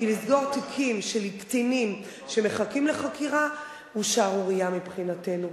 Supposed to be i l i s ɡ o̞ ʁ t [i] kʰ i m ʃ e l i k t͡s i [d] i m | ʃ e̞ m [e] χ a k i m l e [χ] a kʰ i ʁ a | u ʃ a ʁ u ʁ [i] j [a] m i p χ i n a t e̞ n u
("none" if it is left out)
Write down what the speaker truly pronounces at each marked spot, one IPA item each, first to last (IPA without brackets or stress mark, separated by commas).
i, n, e, χ, i, a